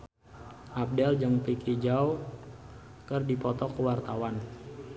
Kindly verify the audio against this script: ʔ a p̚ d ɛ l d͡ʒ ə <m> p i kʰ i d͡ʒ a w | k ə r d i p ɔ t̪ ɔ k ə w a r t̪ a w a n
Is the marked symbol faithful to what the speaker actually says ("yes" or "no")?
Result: no